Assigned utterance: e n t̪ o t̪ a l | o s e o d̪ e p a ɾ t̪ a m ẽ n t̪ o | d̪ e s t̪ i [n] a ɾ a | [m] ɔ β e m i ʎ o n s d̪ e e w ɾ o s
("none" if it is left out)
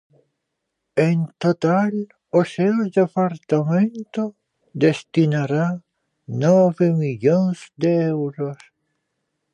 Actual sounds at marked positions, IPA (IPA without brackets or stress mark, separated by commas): n, n